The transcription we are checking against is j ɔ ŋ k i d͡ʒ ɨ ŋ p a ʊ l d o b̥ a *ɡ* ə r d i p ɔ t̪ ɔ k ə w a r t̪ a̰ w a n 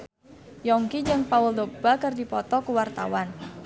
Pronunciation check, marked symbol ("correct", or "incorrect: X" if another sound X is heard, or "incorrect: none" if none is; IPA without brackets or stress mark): incorrect: k